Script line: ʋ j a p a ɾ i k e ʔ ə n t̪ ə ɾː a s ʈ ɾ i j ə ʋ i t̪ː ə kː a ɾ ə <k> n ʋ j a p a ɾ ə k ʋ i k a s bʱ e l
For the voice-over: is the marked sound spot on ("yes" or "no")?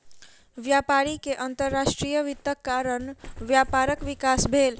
no